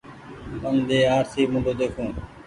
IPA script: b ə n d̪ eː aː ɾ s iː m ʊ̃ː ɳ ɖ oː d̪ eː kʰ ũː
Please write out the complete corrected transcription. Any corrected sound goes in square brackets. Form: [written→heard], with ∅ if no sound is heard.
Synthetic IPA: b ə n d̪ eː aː ɾ s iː m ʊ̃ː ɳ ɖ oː d̪ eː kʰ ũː